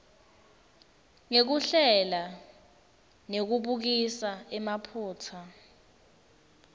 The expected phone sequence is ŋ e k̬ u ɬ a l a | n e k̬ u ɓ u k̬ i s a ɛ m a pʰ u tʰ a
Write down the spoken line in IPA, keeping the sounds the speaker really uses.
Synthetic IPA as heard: ŋ e k̬ u ɬ ɛ l a | n e k̬ u ɓ u k̬ i s a ɛ m a pʰ uː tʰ a